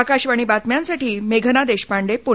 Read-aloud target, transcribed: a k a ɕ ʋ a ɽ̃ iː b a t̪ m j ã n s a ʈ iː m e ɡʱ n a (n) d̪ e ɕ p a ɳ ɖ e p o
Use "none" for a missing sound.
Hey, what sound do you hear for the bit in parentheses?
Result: none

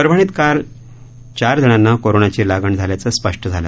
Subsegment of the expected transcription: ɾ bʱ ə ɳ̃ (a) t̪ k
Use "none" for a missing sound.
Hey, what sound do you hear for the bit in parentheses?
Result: i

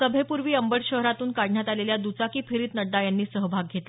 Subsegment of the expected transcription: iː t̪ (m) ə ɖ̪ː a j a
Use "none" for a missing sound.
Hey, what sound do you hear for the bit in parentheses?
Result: n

